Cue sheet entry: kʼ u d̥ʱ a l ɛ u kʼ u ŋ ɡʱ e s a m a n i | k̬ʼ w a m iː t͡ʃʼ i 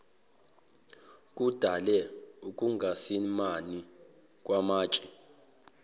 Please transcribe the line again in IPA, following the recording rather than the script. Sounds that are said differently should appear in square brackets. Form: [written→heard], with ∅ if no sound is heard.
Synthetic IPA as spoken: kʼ u d̥ʱ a l ɛ u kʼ u ŋ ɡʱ [e→a] s [a→i] m a n i | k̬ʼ w a m [iː→aː] t͡ʃʼ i